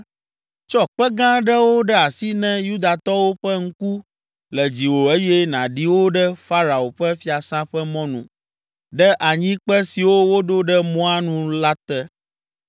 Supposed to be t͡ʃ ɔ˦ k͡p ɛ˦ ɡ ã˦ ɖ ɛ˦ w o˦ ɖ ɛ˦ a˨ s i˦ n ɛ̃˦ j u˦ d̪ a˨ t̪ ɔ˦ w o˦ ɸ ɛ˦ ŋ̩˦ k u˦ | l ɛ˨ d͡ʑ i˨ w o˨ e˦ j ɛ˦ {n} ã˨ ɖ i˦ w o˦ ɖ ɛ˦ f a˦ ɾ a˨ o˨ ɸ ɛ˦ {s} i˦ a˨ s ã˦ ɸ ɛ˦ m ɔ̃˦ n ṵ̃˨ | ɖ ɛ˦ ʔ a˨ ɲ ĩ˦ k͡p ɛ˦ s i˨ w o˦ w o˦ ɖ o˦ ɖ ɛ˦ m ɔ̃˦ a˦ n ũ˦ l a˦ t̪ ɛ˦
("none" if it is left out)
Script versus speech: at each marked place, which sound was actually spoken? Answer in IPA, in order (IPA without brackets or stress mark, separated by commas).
n, f